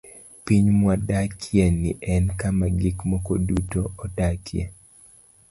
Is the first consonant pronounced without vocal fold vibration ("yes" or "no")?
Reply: yes